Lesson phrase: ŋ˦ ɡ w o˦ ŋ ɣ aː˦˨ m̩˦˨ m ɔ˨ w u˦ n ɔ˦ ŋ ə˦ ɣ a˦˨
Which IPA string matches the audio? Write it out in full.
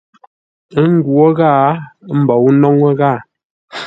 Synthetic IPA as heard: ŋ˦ ɡ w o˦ ɣ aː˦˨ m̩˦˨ b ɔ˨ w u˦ n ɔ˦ ŋ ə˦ ɣ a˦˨